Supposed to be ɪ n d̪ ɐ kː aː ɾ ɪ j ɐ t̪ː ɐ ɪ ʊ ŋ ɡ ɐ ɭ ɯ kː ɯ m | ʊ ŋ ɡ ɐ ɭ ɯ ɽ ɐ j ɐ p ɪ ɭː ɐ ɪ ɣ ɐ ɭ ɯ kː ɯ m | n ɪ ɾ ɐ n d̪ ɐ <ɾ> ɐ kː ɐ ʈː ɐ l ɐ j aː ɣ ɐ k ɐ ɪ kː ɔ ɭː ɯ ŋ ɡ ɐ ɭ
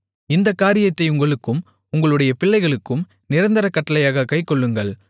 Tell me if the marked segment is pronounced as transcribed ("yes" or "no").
yes